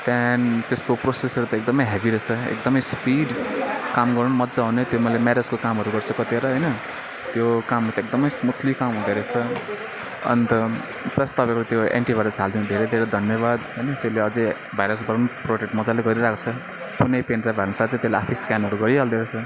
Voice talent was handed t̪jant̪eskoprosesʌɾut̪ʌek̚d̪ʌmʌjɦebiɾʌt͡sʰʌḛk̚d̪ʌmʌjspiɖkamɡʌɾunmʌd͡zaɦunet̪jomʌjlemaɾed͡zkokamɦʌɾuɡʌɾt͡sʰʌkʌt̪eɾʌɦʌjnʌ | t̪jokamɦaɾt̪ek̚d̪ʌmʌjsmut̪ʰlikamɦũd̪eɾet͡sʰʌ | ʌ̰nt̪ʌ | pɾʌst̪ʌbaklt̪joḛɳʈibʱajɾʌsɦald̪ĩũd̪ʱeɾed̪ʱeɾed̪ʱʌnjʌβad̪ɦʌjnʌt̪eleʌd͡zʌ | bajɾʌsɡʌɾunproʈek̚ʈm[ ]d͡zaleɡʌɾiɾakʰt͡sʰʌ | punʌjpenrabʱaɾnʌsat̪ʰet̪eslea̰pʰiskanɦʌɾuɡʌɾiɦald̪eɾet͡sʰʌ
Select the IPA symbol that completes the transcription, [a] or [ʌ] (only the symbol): ʌ